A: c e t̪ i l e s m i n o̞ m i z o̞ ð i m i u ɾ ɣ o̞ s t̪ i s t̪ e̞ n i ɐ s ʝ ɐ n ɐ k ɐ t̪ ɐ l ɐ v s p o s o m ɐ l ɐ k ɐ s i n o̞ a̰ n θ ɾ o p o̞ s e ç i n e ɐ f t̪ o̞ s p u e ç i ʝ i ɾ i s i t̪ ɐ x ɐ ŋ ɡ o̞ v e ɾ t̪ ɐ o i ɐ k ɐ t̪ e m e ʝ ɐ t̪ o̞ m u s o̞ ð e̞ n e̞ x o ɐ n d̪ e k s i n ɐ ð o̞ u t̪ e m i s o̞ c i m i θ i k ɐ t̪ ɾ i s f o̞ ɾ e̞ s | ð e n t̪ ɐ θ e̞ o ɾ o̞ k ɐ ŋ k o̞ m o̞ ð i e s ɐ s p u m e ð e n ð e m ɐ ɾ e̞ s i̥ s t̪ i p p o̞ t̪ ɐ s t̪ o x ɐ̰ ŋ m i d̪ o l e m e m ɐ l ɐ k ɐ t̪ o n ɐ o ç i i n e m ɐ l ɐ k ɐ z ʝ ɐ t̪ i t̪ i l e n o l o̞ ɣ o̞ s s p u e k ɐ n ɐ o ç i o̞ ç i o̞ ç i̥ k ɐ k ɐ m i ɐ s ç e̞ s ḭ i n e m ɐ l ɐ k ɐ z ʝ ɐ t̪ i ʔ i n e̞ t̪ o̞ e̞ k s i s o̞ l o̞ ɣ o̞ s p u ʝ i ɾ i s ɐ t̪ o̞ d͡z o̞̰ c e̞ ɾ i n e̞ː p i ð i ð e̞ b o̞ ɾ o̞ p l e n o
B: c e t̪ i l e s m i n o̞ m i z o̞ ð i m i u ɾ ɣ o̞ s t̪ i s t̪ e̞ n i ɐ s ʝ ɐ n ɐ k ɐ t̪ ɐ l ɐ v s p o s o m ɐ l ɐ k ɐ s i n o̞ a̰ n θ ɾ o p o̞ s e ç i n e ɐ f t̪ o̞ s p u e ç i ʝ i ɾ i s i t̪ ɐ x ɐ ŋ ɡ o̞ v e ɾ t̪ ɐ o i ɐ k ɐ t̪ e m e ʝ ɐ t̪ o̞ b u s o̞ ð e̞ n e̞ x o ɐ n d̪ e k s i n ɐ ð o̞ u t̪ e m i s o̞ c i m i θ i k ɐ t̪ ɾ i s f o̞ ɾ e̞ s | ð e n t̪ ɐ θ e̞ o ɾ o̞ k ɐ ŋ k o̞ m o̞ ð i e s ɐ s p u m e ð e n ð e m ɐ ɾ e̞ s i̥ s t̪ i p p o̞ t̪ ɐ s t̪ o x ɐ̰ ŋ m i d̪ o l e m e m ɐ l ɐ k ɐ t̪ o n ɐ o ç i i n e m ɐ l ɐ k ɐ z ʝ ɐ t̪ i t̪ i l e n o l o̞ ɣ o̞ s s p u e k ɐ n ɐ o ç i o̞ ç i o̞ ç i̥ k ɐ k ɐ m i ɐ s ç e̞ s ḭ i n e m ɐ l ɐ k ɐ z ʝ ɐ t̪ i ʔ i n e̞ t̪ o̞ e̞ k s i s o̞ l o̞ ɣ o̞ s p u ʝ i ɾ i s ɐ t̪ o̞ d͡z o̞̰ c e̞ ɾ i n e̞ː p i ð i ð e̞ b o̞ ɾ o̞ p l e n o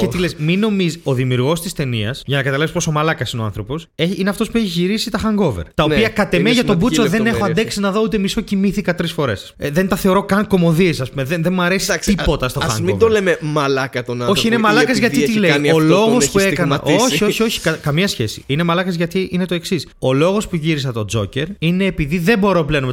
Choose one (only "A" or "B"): B